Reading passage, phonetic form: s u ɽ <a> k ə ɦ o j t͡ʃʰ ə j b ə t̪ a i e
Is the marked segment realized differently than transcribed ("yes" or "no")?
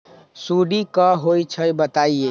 yes